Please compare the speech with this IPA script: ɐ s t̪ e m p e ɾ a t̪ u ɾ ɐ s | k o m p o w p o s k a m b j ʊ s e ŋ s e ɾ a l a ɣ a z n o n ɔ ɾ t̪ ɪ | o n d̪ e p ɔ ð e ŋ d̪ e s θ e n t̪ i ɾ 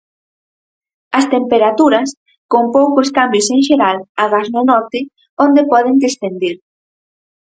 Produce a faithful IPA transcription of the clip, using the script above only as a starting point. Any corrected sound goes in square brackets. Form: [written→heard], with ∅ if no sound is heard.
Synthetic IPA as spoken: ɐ s t̪ e m p e ɾ a t̪ u ɾ ɐ s | k o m p o w [p→k] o s k a m b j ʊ s e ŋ [s→ʃ] e ɾ a l a ɣ a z n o n ɔ ɾ t̪ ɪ | o n d̪ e p ɔ ð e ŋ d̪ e s θ e n [t̪→d̪] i ɾ